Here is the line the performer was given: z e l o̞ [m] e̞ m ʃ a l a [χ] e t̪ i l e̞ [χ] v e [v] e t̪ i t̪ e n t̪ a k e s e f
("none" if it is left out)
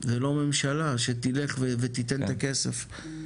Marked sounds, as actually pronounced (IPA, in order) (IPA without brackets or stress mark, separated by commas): m, ʃ, χ, v